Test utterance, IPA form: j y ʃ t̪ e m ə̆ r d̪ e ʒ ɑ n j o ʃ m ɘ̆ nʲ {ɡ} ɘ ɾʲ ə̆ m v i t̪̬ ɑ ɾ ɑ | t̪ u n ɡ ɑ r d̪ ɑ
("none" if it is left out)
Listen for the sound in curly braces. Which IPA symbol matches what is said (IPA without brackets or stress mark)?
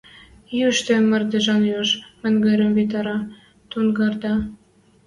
ɡ